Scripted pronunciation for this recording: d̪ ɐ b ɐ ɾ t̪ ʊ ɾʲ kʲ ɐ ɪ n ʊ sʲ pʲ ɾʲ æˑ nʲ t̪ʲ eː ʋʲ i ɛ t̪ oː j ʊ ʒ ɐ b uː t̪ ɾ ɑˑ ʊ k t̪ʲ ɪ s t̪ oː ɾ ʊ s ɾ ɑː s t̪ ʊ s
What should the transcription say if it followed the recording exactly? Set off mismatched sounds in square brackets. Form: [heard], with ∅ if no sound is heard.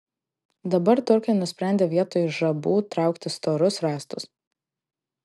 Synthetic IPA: d̪ ɐ b ɐ ɾ t̪ ʊ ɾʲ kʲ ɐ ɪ n ʊ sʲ pʲ ɾʲ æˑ nʲ [d̪ʲ] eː ʋʲ i ɛ t̪ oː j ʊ ʒ ɐ b uː t̪ ɾ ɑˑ ʊ k t̪ʲ ɪ s t̪ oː ɾ ʊ s ɾ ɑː s t̪ ʊ s